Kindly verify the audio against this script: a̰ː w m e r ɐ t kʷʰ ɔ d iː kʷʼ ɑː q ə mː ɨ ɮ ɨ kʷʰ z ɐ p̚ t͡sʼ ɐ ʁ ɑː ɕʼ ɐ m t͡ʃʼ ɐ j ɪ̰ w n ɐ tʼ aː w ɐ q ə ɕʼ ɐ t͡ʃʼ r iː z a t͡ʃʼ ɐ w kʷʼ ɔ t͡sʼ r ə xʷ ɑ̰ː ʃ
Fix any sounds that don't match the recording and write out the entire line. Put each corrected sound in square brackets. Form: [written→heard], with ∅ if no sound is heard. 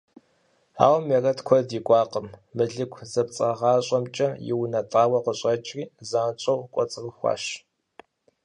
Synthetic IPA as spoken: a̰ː w m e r ɐ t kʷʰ ɔ d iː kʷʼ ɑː q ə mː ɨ ɮ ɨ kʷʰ z ɐ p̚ t͡sʼ ɐ ʁ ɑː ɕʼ ɐ m t͡ʃʼ ɐ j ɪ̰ w n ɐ tʼ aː w ɐ q ə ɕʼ ɐ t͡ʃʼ r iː z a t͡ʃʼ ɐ w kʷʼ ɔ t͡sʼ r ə xʷ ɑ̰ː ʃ